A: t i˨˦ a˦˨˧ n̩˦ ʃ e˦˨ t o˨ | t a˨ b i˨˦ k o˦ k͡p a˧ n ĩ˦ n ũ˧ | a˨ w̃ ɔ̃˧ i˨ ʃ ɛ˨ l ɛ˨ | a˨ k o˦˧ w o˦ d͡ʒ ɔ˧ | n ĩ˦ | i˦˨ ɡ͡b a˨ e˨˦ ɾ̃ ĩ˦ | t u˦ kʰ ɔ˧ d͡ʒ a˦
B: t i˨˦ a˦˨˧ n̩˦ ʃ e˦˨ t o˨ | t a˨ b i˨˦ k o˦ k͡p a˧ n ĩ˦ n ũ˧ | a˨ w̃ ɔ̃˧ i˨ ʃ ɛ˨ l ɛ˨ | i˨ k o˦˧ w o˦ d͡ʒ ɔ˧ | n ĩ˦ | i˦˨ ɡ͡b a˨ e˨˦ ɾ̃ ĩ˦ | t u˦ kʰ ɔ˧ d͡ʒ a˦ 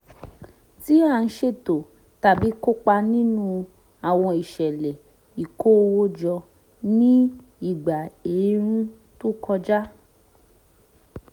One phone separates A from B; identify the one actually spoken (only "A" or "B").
B